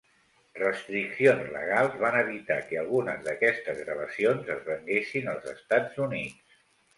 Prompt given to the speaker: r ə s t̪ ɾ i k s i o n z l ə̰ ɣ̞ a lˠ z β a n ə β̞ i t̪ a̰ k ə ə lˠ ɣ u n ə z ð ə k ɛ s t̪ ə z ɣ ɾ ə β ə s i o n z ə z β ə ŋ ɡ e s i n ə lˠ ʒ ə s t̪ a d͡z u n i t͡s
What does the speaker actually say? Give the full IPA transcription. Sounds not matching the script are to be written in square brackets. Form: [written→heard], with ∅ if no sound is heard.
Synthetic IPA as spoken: r ə s t̪ ɾ i k s i o n z l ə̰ ɣ̞ a lˠ z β a n ə β̞ i t̪ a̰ k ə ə lˠ ɣ u n ə z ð ə k ɛ s t̪ ə z ɣ ɾ ə β ə s i o n z ə z β ə ŋ ɡ e s i n ə lˠ [ʒ→z] ə s t̪ a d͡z u n i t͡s

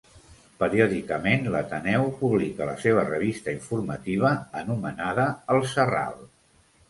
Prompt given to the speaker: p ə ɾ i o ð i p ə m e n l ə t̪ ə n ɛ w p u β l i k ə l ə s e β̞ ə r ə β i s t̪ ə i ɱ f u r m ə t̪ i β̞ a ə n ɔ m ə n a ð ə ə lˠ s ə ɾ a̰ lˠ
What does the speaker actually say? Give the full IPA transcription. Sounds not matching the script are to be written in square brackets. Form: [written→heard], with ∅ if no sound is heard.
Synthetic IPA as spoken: p ə ɾ i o ð i [p→k] ə m e n l ə t̪ ə n ɛ w p u β l i k ə l ə s e β̞ ə r ə β i s t̪ ə i ɱ f u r m ə t̪ i β̞ [a→ə] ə n [ɔ→u] m ə n a ð ə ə lˠ s ə [ɾ→r] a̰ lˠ

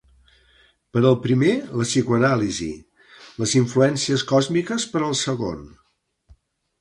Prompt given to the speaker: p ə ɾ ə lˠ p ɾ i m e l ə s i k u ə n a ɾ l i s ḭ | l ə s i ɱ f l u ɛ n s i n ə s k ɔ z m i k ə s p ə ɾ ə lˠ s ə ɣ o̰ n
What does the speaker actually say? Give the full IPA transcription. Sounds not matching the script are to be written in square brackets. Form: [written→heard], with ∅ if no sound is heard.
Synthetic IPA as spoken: p ə ɾ ə lˠ p ɾ i m e l ə s i k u ə n a [ɾ→∅] l i [s→z] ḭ | l ə [s→z] i ɱ f l u ɛ n s i [n→∅] ə s k ɔ z m i k ə s p ə ɾ ə lˠ s ə ɣ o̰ n

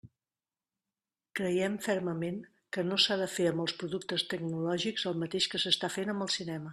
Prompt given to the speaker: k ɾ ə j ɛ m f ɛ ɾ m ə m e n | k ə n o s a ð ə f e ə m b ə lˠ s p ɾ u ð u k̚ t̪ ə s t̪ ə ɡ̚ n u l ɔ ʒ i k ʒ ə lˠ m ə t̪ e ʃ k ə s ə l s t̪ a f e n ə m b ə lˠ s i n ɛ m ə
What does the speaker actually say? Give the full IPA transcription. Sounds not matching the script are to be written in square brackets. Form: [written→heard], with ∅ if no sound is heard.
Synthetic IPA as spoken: k ɾ ə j ɛ m f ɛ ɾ m ə m e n | k ə n o s a ð ə f e ə m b ə lˠ s p ɾ u ð u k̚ t̪ ə s t̪ ə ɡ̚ n u l ɔ ʒ i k [ʒ→z] ə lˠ m ə t̪ e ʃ k ə s ə [l→∅] s t̪ a f e n ə m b ə lˠ s i n ɛ m ə

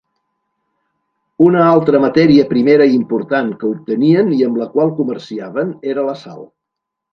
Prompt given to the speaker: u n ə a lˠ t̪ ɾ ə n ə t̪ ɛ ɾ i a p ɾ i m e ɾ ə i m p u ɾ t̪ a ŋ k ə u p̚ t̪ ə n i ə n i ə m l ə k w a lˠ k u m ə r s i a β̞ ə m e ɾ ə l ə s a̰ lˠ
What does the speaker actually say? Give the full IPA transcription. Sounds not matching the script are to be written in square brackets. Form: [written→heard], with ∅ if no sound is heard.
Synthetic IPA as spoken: u n ə a lˠ t̪ ɾ ə [n→m] ə t̪ ɛ ɾ i [a→ə] p ɾ i m e ɾ ə i m p u ɾ t̪ a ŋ k ə u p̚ t̪ ə n i ə n i ə m l ə k w a lˠ k u m ə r s i a β̞ ə [m→n] e ɾ ə l ə s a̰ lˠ

